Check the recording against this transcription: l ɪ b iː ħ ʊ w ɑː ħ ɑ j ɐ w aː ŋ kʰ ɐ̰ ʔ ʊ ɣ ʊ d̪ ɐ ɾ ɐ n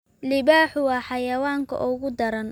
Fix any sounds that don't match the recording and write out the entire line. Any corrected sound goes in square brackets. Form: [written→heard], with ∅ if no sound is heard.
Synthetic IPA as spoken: l ɪ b [iː→aː] ħ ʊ w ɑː ħ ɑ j ɐ w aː ŋ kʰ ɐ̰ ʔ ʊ ɣ ʊ d̪ ɐ ɾ ɐ n